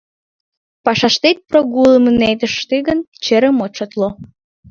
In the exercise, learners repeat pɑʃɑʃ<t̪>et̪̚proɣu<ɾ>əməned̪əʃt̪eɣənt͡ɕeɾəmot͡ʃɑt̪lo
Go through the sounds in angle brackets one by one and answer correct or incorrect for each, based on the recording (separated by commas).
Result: correct, incorrect